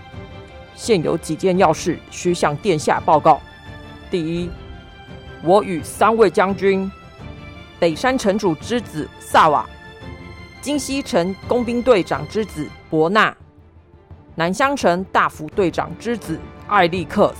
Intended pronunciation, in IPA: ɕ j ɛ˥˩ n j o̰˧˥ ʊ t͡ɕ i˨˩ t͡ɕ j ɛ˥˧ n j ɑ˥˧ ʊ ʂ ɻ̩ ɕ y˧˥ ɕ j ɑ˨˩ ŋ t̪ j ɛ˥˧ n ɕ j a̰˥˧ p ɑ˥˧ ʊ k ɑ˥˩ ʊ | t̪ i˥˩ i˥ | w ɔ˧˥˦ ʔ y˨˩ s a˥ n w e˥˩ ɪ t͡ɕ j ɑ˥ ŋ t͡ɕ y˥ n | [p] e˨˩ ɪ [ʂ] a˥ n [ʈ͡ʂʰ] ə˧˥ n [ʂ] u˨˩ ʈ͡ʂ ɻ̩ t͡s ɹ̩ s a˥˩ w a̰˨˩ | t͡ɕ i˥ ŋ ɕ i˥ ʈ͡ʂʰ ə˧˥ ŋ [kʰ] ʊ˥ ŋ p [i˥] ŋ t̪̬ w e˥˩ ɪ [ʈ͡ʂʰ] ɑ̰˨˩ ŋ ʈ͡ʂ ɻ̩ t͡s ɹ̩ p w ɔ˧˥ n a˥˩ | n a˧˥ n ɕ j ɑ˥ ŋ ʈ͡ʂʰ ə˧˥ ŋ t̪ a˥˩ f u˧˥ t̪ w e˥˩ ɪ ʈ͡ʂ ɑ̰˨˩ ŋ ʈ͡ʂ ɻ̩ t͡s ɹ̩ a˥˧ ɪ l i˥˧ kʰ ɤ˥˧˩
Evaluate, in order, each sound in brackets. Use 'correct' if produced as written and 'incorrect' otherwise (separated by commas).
correct, correct, correct, incorrect, incorrect, correct, incorrect